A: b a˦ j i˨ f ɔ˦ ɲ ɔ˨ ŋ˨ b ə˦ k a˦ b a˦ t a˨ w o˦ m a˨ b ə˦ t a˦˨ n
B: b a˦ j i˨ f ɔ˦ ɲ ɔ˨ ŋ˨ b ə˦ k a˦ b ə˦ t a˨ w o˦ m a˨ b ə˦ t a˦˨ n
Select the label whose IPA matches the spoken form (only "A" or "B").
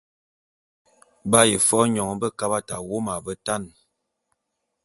A